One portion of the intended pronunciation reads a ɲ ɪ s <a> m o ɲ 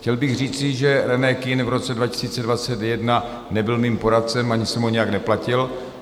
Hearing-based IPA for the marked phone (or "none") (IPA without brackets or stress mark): ɛ